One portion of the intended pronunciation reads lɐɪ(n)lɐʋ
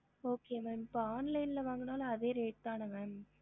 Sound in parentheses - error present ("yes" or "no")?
no